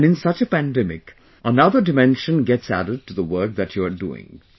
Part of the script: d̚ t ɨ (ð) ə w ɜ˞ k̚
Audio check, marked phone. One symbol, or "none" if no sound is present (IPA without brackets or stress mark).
ð